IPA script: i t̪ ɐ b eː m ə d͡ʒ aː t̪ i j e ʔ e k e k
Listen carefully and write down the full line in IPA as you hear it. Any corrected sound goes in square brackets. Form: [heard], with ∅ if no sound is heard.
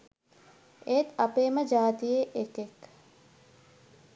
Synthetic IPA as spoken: [e] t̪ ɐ [p] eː m ə d͡ʒ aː t̪ i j e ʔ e k e k

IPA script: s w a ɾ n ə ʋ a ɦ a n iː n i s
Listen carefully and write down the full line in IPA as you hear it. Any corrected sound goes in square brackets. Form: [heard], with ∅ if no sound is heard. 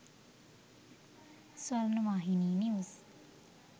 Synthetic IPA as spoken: s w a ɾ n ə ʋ a ɦ [i] n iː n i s

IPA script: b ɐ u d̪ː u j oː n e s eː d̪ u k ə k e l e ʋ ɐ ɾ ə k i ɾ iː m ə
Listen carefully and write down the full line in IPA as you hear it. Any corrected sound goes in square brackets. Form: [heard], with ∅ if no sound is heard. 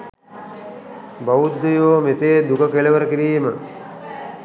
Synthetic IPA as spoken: b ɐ u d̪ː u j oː [m] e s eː d̪ u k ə k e l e ʋ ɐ ɾ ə k i ɾ iː m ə

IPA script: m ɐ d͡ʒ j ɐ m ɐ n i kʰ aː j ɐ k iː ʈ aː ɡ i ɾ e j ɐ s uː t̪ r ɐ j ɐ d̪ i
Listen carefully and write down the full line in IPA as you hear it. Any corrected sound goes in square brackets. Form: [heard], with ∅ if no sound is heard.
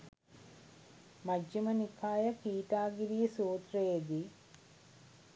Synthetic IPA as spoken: m ɐ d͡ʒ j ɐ m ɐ n i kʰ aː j ɐ k iː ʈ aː ɡ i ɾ [i] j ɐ s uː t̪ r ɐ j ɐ d̪ i

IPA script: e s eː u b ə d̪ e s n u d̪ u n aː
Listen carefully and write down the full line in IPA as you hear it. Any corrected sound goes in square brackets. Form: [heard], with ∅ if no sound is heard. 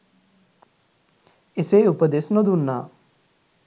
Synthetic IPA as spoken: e s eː u [p] ə d̪ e s n [o] d̪ u [nː] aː

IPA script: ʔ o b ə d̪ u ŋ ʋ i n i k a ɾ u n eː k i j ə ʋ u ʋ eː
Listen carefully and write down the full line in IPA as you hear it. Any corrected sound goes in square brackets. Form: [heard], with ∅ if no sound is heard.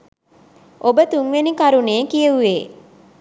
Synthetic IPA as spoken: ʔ o b ə [t̪] u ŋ ʋ [e] n i k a ɾ u n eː k i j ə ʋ u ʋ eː

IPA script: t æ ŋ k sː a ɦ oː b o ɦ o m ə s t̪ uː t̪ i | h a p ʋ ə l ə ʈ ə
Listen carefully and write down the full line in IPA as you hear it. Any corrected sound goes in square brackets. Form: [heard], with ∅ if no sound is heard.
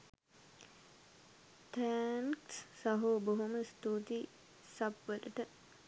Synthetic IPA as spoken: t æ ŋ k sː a ɦ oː b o ɦ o m ə s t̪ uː t̪ i | [s] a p ʋ ə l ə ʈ ə

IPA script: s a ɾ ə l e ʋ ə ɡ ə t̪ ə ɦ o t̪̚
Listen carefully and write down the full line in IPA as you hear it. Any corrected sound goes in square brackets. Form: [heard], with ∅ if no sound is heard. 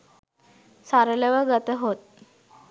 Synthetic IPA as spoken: s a ɾ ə l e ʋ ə ɡ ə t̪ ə ɦ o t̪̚

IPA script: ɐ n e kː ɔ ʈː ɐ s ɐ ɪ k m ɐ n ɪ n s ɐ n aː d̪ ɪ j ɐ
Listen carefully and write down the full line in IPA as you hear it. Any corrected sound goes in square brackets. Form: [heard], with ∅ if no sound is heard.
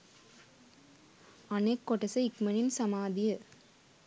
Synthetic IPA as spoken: ɐ n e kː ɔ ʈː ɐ s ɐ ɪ k m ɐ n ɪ n s ɐ [m] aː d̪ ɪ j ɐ

